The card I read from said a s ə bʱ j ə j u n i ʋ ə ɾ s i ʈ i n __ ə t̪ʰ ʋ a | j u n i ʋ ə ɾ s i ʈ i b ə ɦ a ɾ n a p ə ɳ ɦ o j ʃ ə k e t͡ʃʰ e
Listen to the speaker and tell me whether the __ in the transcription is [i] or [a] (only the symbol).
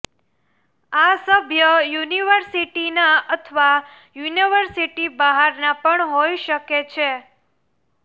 a